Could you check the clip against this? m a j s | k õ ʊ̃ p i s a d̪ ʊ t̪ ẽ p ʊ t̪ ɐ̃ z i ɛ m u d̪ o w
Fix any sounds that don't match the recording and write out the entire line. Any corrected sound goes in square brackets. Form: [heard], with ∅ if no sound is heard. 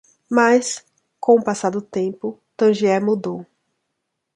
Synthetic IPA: m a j s | k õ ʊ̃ p [a] s a d̪ ʊ t̪ ẽ p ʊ t̪ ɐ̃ [ʒ] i ɛ m u d̪ o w